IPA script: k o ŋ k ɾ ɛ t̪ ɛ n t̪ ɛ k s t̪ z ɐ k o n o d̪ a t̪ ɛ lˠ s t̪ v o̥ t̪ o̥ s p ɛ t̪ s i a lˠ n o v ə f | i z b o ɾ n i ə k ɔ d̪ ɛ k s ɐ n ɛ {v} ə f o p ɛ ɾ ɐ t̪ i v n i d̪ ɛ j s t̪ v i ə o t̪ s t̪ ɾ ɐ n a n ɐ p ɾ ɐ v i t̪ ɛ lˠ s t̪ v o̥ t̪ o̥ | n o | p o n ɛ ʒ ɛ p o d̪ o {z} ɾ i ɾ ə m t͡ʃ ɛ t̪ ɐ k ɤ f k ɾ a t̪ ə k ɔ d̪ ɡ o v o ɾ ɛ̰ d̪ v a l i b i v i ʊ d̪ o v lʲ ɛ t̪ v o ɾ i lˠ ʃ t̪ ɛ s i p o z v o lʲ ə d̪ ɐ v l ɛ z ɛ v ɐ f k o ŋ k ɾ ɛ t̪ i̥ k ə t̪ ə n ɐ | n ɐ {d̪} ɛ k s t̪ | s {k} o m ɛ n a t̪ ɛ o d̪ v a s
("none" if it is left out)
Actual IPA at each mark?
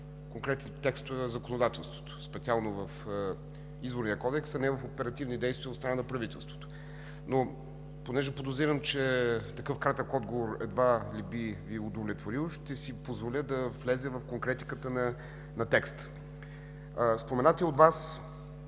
v, z, t̪, p

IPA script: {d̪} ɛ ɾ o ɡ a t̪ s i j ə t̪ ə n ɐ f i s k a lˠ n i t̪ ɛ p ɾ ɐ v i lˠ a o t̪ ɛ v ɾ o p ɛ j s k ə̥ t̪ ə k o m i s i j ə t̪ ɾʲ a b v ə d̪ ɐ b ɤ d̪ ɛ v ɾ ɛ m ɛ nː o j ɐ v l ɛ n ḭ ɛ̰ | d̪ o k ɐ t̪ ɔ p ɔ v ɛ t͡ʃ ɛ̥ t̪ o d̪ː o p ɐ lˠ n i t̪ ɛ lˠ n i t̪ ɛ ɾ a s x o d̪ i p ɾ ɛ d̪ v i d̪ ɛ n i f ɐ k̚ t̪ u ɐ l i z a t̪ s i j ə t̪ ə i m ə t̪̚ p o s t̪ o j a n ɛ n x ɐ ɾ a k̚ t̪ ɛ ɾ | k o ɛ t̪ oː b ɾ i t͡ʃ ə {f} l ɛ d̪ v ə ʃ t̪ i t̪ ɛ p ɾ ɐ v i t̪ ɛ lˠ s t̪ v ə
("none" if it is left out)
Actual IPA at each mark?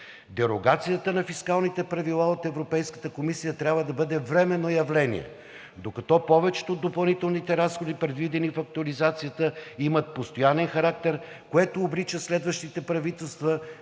d̪, s

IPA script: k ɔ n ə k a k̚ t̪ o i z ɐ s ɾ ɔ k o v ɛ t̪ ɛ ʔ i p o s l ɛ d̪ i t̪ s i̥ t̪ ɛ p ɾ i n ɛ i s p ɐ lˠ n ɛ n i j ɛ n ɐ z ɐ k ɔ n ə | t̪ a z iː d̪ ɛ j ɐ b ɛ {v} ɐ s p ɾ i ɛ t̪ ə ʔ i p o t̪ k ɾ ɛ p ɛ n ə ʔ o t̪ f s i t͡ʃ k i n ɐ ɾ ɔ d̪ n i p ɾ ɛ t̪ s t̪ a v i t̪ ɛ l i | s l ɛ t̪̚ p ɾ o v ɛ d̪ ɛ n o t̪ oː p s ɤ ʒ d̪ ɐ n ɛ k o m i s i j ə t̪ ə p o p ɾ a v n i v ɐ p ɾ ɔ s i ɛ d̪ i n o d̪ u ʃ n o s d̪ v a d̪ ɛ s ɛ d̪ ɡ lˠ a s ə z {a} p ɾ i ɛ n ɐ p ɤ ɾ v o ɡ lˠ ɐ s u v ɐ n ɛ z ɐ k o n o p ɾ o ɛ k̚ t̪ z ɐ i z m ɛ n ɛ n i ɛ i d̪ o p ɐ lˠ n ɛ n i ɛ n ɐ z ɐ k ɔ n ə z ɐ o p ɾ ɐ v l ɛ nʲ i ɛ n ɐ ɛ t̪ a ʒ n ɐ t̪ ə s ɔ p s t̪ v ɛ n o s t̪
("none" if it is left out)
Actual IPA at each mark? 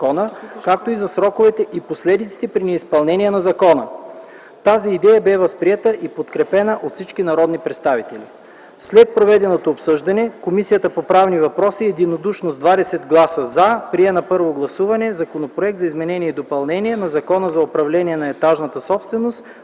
v, a

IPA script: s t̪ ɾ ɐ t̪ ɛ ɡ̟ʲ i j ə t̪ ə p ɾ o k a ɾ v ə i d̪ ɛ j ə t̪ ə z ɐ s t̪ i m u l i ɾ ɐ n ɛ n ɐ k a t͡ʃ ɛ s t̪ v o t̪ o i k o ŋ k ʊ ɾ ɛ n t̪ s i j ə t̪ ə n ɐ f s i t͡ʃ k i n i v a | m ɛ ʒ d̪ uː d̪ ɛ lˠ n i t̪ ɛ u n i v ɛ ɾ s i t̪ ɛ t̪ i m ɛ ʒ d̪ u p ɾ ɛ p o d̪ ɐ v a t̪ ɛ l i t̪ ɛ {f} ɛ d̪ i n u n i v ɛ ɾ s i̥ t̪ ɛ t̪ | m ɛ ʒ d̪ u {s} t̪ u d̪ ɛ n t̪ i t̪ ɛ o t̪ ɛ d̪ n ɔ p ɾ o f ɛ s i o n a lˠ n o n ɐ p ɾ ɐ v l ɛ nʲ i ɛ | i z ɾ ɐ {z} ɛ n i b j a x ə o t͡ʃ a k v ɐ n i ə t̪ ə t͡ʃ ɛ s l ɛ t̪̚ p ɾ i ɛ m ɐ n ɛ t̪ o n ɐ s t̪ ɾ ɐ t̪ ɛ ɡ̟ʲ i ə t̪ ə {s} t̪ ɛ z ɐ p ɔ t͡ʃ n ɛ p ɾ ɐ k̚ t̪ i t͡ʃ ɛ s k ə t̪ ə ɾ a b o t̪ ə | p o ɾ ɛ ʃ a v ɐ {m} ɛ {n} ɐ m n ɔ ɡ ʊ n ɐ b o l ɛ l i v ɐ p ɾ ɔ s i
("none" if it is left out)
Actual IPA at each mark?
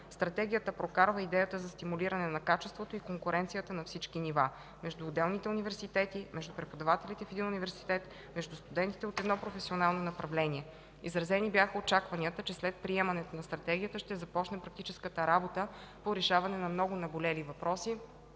f, s, z, ʃ, n, n

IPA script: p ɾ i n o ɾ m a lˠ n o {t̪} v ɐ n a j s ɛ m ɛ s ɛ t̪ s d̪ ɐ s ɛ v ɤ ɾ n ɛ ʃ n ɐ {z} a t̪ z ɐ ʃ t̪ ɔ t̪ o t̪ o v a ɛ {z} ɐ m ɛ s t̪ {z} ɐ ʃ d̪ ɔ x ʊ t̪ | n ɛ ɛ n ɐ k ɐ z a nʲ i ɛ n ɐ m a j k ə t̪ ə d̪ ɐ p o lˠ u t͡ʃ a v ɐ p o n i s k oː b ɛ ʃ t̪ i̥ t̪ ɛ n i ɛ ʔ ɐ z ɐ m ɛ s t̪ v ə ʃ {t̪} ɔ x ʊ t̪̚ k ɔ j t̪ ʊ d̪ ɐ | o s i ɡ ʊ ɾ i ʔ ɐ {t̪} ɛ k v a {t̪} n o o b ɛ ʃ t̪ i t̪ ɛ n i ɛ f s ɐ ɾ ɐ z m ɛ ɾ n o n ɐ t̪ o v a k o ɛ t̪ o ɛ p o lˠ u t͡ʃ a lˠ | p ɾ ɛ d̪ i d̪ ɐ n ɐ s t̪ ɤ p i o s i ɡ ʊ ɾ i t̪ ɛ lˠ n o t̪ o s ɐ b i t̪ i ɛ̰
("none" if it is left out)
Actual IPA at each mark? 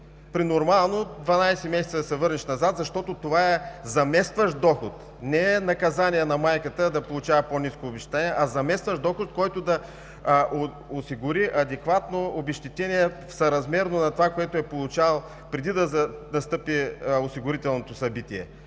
d̪, z, z, v, d̪, d̪, t̪

